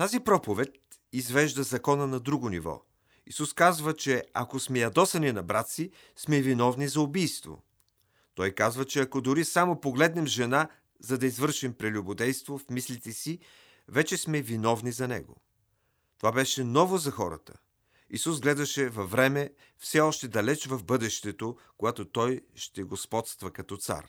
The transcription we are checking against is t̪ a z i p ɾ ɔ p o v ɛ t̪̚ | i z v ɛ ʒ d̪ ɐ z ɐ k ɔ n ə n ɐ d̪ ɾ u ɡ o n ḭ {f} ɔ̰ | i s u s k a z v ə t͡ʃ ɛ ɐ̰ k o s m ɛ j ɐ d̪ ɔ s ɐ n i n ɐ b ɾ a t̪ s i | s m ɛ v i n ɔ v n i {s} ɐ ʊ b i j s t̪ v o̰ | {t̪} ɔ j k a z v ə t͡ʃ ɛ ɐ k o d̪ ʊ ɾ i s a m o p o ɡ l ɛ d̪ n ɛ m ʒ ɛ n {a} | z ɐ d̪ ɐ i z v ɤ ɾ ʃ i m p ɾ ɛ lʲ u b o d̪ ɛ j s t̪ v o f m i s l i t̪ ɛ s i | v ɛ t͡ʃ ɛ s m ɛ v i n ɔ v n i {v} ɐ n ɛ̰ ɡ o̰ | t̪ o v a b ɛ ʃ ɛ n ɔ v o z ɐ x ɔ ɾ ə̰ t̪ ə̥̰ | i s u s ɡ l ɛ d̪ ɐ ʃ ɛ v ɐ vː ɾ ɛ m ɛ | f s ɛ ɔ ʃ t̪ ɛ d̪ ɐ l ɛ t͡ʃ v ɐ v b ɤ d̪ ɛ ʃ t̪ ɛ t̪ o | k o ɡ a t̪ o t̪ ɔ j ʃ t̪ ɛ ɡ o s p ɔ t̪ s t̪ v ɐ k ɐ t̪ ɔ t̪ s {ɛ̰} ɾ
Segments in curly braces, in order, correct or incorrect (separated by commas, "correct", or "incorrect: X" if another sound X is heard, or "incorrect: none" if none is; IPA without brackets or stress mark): incorrect: v, incorrect: z, correct, correct, incorrect: z, incorrect: a̰